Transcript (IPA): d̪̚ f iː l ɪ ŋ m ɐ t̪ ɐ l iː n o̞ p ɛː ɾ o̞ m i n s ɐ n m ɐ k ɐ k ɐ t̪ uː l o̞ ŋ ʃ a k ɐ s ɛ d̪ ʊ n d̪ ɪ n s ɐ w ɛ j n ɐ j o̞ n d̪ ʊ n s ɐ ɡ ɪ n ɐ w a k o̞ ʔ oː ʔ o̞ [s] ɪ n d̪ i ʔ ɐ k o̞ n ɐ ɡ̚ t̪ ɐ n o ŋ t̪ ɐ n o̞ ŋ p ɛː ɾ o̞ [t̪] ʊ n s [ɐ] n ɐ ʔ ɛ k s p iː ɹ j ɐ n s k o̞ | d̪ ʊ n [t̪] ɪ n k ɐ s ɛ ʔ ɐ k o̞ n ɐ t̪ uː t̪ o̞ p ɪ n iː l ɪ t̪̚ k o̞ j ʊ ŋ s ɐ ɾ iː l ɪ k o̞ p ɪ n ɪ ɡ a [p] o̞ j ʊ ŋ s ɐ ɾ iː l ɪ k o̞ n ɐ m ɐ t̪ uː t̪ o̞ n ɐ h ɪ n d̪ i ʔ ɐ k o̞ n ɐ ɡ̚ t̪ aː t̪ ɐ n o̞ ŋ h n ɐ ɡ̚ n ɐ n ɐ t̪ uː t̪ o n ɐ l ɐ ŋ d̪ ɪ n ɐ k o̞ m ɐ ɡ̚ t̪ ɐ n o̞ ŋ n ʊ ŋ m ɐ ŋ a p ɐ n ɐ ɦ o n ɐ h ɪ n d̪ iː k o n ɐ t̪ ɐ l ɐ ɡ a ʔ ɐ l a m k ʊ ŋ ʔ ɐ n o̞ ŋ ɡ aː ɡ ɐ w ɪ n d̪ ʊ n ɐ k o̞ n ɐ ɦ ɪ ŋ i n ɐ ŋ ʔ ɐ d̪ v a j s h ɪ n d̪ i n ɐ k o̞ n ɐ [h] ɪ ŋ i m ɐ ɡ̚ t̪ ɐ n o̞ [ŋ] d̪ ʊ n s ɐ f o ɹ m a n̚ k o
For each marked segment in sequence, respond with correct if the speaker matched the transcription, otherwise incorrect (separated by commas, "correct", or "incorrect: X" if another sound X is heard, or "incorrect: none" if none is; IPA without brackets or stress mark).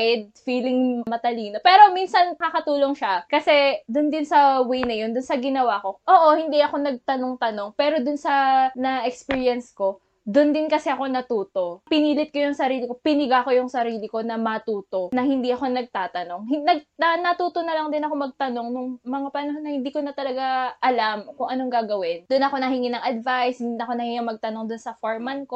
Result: incorrect: h, incorrect: d̪, correct, incorrect: d̪, incorrect: k, correct, correct